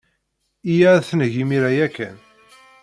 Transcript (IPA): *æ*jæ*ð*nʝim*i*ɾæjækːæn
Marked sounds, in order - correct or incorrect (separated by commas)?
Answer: incorrect, incorrect, correct